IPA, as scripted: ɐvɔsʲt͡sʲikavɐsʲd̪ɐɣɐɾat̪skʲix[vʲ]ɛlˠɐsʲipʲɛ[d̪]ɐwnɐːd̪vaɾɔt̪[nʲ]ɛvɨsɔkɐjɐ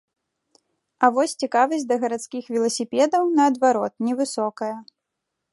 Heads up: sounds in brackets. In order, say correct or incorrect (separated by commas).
correct, correct, correct